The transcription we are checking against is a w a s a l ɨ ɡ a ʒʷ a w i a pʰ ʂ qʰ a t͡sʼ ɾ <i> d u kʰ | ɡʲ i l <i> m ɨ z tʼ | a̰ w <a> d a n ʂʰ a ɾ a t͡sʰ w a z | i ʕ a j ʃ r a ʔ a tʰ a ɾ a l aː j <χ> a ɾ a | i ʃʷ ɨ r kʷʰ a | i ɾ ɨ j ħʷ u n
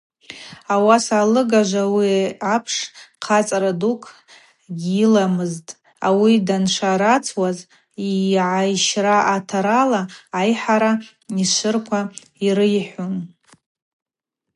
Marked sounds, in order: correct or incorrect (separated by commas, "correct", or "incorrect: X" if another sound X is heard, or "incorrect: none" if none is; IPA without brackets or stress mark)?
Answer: incorrect: a, incorrect: a, incorrect: i, incorrect: ħ